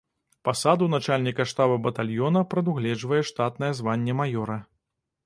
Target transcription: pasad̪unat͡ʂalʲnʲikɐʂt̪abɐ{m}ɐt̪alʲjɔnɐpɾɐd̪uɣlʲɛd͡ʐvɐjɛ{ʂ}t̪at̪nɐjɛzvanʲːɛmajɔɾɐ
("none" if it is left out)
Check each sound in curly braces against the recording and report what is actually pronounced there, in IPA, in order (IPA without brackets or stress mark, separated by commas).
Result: b, ʂ